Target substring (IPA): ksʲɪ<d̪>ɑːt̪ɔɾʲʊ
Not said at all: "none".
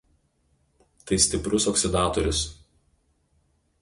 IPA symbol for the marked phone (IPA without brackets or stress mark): d̪